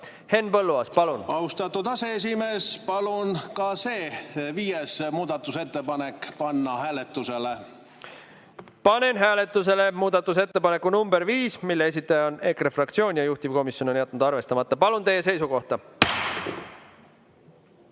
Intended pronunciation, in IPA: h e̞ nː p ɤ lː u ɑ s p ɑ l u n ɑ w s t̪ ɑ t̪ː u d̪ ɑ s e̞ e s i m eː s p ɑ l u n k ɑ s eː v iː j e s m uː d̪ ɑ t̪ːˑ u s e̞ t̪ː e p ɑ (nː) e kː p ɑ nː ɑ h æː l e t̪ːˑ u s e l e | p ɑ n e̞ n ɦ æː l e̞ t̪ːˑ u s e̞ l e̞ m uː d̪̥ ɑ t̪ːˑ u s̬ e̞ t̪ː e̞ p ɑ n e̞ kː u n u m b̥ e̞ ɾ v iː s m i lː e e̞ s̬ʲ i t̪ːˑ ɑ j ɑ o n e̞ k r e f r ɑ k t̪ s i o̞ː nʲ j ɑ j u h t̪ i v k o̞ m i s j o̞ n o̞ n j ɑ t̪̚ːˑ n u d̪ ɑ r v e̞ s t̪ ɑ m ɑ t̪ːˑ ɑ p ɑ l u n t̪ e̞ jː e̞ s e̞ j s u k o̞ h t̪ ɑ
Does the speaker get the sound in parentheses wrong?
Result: yes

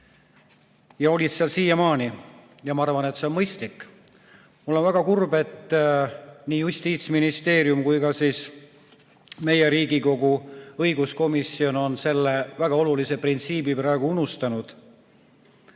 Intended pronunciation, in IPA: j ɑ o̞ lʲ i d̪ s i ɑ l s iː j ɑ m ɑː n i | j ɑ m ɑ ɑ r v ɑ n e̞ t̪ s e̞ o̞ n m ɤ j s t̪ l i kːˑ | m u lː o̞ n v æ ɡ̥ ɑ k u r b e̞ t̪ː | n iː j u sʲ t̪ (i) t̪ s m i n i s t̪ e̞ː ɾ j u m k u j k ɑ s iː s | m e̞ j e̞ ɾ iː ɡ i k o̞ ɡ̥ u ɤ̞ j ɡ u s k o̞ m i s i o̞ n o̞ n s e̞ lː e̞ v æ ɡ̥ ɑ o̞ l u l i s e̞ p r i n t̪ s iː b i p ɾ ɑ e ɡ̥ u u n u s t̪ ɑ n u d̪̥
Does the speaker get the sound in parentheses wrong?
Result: yes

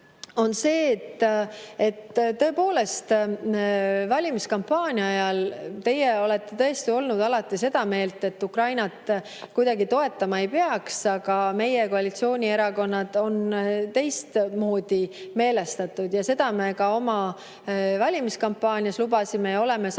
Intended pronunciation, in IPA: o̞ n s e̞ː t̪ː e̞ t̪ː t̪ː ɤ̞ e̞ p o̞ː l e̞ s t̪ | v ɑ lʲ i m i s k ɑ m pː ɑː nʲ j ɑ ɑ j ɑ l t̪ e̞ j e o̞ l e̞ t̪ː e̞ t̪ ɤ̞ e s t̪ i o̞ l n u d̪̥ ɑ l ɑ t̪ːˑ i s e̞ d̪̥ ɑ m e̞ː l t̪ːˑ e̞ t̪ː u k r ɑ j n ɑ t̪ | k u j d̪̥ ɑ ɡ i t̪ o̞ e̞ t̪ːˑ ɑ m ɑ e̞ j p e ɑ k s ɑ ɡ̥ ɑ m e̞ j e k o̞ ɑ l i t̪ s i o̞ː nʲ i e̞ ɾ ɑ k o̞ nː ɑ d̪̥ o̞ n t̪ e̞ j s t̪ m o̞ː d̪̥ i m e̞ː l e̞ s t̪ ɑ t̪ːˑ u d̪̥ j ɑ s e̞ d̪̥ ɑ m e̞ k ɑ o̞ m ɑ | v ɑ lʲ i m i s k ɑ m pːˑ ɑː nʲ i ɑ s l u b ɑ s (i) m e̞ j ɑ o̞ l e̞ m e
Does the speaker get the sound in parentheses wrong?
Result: no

